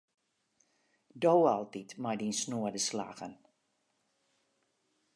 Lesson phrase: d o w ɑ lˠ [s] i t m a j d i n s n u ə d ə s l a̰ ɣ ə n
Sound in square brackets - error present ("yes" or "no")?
yes